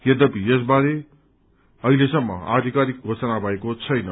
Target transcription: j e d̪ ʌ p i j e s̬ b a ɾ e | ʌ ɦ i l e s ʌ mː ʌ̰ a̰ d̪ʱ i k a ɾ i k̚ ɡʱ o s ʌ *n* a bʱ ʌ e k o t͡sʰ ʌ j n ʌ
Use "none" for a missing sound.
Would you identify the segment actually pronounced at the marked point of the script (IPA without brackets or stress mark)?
n